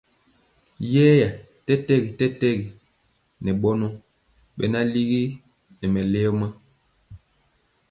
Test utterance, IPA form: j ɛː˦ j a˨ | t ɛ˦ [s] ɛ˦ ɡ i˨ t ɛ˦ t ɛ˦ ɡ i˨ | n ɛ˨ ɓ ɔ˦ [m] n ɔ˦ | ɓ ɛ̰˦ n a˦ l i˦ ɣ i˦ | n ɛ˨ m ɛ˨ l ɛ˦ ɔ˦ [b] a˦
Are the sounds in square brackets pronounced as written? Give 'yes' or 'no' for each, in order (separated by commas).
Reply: no, no, no